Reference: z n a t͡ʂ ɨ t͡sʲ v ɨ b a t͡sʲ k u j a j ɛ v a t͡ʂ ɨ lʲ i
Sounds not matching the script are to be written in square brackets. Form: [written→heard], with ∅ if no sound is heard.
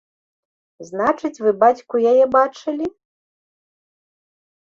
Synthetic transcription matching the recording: z n a t͡ʂ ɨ t͡sʲ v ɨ b a t͡sʲ k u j a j ɛ [v→b] a t͡ʂ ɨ lʲ i